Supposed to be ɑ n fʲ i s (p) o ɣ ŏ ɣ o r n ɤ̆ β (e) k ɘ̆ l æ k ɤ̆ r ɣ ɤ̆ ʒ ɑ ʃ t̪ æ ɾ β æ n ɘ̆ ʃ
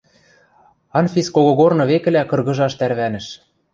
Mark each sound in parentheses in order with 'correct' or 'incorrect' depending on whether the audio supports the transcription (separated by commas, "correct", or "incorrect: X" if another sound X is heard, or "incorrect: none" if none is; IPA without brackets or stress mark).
incorrect: k, correct